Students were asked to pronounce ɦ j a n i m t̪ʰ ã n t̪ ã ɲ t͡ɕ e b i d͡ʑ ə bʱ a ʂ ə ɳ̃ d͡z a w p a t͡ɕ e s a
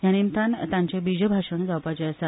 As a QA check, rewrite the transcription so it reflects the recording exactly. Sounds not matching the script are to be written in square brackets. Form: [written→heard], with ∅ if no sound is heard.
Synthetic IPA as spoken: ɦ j a n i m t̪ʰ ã n t̪ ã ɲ t͡ɕ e b i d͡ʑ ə bʱ a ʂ ə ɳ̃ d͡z a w p a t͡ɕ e s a